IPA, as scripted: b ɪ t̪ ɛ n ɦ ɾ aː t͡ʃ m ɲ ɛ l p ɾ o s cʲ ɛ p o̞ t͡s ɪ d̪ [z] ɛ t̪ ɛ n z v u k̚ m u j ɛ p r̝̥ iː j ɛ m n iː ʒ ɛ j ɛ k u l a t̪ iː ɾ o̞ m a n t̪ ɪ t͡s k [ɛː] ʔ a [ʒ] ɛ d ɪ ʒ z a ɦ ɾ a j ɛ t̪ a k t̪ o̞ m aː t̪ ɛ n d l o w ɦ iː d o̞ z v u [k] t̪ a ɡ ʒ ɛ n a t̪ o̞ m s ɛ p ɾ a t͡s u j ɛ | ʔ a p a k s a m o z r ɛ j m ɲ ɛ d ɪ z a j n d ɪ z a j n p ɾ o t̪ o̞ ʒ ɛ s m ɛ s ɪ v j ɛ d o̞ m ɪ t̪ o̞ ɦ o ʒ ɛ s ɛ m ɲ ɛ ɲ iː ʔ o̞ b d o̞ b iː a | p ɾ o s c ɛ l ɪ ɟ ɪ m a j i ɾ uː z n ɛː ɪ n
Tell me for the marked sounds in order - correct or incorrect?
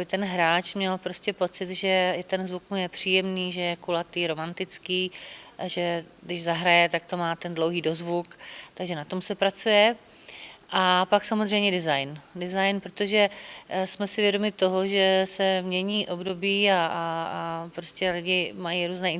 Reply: incorrect, incorrect, correct, correct

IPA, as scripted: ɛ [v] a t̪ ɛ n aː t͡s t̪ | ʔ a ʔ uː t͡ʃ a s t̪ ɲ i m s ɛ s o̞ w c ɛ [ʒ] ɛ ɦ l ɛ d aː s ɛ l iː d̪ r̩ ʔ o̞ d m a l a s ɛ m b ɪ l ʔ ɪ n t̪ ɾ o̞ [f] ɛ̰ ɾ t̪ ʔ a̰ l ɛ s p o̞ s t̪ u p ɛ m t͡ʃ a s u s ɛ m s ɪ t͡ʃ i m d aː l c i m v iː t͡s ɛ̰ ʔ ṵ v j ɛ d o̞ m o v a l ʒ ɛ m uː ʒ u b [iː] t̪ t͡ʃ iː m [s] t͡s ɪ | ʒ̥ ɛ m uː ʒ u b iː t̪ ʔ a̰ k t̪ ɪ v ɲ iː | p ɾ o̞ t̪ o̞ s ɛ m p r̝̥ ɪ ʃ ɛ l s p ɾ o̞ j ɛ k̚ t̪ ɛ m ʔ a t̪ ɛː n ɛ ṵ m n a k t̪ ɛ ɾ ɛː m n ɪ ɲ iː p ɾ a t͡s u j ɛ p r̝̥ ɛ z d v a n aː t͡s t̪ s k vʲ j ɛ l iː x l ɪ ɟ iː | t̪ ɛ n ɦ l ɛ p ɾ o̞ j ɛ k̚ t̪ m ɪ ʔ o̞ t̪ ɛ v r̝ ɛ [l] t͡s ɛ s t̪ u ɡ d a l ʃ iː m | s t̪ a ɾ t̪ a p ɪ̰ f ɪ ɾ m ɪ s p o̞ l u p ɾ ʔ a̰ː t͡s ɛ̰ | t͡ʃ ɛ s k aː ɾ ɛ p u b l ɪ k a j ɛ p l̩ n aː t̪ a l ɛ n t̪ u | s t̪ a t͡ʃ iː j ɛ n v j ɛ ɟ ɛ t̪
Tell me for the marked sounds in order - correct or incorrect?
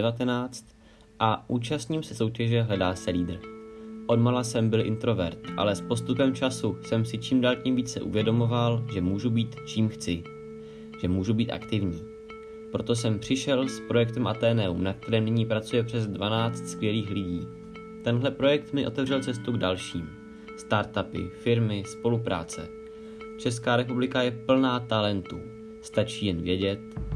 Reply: correct, correct, incorrect, correct, incorrect, correct

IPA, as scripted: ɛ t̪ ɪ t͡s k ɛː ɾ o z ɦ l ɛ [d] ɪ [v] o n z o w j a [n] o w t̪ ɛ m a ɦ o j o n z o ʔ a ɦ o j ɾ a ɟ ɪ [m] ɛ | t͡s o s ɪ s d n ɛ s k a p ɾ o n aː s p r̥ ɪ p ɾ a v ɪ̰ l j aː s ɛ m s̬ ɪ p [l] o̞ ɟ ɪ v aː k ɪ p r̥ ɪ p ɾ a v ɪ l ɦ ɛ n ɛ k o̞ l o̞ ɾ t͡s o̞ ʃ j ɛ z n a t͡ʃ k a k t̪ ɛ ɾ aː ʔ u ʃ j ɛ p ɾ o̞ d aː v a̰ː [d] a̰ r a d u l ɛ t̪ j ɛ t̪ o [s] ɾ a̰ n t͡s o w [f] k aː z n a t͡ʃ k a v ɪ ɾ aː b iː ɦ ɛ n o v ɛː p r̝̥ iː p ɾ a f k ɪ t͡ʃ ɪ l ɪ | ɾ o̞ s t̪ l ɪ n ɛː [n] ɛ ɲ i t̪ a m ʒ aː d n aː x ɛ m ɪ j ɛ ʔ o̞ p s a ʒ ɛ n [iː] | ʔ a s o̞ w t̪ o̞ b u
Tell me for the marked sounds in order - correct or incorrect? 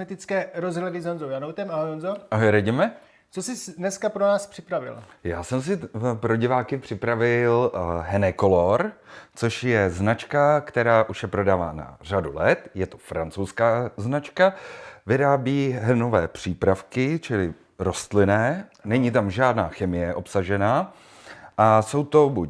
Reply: correct, incorrect, correct, correct, incorrect, incorrect, incorrect, incorrect, correct, incorrect

